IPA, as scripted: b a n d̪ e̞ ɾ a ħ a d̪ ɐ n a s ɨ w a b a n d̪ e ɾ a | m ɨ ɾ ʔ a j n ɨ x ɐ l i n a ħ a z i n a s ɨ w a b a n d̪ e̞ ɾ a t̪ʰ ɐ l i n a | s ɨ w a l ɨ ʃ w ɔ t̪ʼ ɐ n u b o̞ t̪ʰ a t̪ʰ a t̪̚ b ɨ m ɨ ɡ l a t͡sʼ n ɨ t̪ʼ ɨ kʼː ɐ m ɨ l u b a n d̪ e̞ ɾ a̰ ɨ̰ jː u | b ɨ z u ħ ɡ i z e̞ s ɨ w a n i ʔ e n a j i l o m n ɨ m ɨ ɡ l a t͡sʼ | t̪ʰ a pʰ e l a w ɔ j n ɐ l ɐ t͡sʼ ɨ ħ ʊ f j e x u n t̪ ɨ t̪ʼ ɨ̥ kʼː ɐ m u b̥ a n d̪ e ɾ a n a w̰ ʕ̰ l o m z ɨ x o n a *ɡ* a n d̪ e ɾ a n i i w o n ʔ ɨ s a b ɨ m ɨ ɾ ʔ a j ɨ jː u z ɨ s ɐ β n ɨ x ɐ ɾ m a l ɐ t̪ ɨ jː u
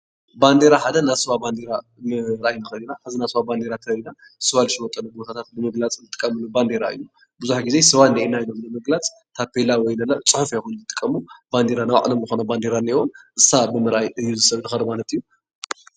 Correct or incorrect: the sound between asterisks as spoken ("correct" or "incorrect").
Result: incorrect